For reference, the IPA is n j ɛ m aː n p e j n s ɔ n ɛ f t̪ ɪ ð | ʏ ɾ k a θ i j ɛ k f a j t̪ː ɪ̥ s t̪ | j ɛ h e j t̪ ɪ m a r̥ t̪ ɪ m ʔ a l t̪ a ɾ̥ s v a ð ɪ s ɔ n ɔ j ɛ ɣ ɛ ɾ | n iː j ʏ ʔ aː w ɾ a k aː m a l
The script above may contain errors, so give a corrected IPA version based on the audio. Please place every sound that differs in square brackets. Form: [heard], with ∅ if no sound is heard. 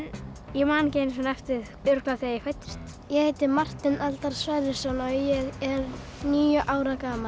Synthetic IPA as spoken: n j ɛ m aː n [c] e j n s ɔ n ɛ f t̪ ɪ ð | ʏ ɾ k a θ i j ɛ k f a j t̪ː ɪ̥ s t̪ | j ɛ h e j t̪ ɪ m a r̥ t̪ ɪ [n] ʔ a l t̪ a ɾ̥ s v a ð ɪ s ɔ n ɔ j ɛ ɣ ɛ ɾ | n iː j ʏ ʔ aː w ɾ a k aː m a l